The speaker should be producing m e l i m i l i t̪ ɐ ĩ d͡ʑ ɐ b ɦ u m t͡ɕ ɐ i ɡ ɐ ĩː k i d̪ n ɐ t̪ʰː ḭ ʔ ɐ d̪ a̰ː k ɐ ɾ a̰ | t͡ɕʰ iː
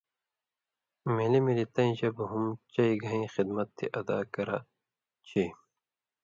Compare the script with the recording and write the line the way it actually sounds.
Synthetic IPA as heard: m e l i m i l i t̪ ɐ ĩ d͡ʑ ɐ b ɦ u m t͡ɕ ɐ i ɡ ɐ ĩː x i d̪ m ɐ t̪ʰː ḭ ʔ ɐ d̪ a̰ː k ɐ ɾ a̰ | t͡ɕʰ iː